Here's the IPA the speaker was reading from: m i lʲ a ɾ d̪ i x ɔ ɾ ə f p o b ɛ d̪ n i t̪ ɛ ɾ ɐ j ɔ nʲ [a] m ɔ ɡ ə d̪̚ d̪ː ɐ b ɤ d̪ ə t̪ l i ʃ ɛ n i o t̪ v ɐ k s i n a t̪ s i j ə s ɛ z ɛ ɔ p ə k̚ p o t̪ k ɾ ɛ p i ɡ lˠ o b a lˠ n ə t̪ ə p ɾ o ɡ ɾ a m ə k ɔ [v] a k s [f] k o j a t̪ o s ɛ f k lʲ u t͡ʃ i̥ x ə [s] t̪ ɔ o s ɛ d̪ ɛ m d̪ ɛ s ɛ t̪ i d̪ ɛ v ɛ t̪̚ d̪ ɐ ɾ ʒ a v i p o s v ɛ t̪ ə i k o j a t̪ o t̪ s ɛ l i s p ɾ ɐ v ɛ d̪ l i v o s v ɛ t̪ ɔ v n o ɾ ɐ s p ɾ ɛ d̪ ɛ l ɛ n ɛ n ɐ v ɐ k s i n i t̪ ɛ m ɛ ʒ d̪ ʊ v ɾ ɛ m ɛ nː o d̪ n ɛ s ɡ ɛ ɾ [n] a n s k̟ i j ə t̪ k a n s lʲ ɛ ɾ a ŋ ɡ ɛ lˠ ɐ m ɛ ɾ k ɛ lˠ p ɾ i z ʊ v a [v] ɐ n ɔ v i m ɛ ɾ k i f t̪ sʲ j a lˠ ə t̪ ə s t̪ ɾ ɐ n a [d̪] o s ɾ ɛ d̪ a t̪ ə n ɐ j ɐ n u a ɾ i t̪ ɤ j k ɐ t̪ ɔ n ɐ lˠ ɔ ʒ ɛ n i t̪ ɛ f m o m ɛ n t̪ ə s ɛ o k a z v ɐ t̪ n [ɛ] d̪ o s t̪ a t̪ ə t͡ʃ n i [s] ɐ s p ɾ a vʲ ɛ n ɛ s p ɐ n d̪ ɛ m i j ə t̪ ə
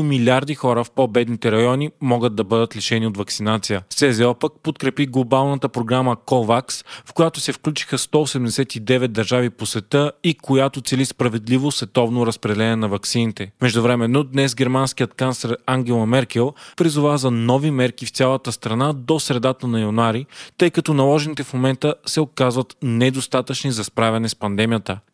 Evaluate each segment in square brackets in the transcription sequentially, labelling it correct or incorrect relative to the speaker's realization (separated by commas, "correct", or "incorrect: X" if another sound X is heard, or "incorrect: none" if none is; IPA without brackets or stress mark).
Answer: incorrect: i, correct, correct, correct, incorrect: m, incorrect: z, correct, correct, incorrect: z